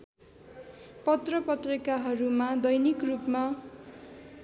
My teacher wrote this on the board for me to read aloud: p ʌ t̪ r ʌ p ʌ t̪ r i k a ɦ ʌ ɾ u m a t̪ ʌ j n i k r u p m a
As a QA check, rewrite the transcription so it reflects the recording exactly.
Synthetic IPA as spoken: p ʌ t̪ r ʌ p ʌ t̪ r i k a ɦ ʌ ɾ u m a d̪ ʌ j n i k r u p m a